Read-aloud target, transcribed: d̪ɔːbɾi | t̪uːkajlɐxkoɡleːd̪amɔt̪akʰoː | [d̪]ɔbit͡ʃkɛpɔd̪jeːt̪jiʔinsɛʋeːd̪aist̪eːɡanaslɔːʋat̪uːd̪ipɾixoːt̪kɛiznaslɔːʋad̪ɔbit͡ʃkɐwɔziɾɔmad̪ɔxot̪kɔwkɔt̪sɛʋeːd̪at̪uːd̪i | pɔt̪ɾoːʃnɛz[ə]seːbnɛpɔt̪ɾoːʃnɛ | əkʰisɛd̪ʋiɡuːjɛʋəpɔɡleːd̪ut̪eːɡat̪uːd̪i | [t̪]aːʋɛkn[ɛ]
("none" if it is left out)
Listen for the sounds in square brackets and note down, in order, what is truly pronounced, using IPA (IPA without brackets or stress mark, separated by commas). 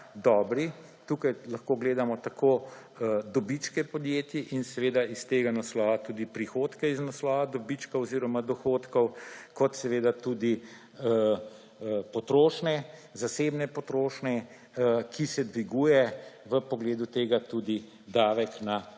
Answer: d̪, a, d̪, a